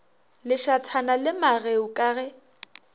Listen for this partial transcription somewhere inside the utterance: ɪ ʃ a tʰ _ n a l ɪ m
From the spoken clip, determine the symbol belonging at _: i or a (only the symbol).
a